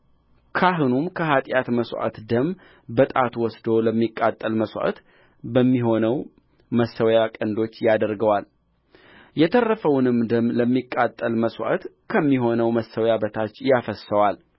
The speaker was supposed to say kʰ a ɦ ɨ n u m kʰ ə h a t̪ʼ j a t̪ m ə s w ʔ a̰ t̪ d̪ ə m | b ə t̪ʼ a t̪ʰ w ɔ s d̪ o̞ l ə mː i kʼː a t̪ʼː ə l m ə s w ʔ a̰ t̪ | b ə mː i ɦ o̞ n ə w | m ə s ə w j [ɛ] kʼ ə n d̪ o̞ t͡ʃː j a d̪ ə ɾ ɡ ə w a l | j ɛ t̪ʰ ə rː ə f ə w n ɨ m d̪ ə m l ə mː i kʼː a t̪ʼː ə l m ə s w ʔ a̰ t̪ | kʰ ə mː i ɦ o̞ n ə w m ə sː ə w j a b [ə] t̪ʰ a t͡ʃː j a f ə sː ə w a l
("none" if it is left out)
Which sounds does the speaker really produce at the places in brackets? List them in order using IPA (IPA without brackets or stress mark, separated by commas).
a, ə